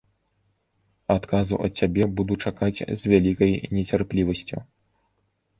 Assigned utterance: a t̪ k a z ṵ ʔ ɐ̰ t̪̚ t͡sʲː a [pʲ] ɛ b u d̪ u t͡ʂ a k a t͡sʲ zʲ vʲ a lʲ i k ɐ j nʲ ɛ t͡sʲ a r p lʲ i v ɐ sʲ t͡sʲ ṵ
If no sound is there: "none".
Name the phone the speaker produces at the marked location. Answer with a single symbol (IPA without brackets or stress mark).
bʲ